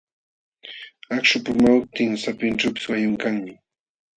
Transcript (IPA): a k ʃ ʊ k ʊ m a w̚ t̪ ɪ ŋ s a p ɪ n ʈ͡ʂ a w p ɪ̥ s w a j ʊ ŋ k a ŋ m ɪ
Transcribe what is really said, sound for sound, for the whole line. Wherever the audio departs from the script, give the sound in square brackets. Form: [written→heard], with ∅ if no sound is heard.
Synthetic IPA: a k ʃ ʊ [k→p] ʊ m a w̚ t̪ ɪ ŋ s a p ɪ n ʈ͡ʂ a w p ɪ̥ s w a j ʊ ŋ k a ŋ m ɪ